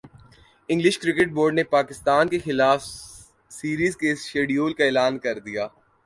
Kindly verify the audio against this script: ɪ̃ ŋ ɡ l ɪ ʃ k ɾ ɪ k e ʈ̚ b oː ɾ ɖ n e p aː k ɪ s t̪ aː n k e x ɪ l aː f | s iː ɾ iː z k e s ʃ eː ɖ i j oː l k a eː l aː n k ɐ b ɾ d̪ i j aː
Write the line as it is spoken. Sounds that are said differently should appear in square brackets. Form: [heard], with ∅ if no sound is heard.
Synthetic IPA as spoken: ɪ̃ ŋ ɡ l ɪ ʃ k ɾ ɪ k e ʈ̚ b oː ɾ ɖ n e p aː k ɪ s t̪ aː n k e x ɪ l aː f | s iː ɾ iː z k e s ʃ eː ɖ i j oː l k a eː l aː n k ɐ [∅] ɾ d̪ i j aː